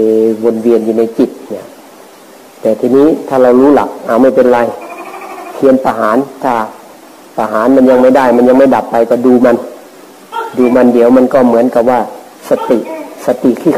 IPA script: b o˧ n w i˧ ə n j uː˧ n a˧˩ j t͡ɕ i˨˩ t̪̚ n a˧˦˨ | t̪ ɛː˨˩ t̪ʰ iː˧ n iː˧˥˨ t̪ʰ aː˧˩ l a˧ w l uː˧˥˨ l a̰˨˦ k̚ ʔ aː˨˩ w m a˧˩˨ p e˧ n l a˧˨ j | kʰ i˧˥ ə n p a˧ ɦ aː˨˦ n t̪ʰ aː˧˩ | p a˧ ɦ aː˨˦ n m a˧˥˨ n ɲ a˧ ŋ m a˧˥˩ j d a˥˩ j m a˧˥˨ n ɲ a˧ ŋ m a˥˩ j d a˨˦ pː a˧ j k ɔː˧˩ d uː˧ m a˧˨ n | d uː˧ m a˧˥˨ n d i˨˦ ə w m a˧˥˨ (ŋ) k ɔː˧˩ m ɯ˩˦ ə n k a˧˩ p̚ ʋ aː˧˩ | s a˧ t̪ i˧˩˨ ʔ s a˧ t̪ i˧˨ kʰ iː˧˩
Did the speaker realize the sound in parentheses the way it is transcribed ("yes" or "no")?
no